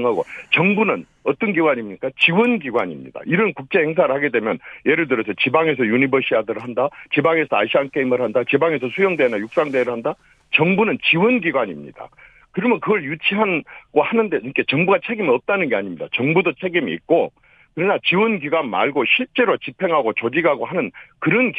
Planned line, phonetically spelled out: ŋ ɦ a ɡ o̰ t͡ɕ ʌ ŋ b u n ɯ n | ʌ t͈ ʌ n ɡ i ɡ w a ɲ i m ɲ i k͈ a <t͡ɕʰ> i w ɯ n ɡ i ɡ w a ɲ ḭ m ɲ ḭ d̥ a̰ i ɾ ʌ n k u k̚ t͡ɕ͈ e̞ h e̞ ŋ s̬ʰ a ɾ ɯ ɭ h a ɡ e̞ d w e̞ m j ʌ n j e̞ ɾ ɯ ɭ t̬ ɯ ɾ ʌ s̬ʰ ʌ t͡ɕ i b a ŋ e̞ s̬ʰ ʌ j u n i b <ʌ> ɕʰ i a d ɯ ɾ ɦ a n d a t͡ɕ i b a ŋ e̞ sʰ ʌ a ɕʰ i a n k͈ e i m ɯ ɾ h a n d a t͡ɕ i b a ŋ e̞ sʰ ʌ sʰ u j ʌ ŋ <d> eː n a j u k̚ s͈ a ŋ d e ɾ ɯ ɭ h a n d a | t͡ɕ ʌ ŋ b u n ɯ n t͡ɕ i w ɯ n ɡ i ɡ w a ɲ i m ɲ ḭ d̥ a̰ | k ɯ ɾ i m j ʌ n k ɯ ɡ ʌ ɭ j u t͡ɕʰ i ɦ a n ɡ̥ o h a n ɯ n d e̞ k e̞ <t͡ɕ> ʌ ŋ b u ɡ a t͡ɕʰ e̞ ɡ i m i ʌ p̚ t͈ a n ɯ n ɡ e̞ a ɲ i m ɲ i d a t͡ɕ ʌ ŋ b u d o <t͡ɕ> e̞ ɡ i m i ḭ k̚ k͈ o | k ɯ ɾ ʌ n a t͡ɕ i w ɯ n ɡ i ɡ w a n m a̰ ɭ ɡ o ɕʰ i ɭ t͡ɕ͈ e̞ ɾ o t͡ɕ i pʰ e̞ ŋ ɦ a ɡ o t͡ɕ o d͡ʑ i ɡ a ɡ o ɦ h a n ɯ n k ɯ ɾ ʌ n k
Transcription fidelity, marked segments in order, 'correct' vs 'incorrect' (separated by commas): incorrect, correct, correct, correct, incorrect